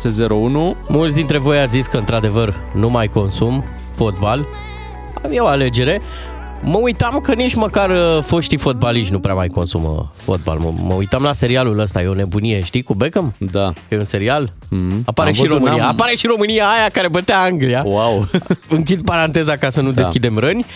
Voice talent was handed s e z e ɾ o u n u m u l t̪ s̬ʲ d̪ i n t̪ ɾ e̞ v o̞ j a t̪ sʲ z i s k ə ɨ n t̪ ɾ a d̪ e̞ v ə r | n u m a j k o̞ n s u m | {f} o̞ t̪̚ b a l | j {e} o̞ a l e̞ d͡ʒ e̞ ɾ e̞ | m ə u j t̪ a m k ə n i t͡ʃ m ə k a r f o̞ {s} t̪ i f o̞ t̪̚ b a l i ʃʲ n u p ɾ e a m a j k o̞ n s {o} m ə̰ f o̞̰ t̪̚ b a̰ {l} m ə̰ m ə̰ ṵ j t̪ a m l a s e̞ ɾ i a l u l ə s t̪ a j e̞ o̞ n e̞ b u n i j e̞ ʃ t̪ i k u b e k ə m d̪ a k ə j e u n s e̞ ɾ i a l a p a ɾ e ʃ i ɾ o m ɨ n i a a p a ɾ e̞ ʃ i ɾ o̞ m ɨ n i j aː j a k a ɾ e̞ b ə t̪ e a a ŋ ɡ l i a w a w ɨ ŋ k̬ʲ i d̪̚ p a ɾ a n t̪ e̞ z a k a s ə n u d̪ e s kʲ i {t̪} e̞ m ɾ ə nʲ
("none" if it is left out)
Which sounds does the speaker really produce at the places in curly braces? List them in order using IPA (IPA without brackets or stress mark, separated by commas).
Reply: f, e, ʃ, u, l, d̪